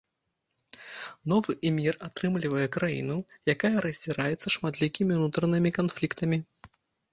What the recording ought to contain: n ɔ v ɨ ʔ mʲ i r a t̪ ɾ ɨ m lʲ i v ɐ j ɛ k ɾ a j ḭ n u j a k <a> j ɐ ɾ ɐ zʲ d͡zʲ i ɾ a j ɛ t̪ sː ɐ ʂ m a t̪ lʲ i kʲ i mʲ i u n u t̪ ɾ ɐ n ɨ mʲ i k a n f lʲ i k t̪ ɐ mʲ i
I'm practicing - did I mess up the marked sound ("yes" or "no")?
no